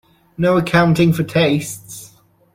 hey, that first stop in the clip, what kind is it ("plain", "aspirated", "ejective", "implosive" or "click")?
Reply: aspirated